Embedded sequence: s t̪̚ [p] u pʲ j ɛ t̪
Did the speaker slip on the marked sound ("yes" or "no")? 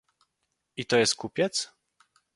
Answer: yes